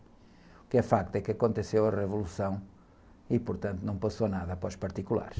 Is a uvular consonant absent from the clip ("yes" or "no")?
no